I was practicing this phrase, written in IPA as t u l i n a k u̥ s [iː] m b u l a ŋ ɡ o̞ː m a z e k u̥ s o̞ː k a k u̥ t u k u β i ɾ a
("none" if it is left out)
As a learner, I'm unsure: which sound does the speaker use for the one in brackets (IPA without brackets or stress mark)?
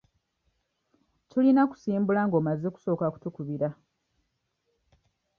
iː